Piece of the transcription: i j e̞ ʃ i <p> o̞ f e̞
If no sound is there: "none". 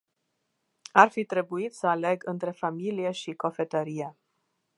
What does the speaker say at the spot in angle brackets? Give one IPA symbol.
k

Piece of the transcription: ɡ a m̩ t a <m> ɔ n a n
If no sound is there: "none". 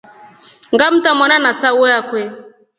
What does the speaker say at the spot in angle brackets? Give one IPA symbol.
m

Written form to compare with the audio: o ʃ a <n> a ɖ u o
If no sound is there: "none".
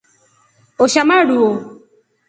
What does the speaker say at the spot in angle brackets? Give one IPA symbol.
m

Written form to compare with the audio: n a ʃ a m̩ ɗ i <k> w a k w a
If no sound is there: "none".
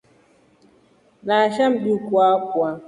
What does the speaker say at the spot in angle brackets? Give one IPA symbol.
k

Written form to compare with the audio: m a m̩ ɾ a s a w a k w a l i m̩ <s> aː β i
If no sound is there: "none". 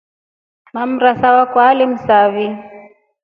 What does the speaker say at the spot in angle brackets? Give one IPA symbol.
s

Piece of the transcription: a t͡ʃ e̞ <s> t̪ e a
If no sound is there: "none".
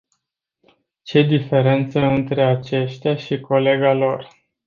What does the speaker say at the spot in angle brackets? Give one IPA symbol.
ʃ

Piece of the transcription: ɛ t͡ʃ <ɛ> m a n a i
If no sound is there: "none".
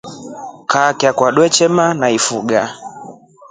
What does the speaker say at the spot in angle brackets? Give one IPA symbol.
ɛ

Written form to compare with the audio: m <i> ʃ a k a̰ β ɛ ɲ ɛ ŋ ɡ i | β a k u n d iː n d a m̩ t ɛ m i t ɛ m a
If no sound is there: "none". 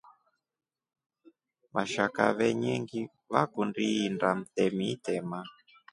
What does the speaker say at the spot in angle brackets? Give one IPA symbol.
a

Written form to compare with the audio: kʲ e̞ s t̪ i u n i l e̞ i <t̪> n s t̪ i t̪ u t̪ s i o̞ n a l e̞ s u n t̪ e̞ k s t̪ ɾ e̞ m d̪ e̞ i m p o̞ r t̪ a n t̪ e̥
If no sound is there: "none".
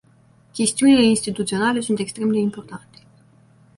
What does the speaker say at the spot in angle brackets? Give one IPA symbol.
none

